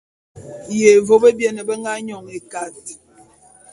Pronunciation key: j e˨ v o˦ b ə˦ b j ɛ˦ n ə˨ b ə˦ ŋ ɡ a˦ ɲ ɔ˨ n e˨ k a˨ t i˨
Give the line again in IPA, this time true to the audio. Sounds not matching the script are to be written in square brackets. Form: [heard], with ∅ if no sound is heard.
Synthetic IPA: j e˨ v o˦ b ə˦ b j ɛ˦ n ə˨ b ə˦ ŋ ɡ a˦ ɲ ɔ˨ [ŋ] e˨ k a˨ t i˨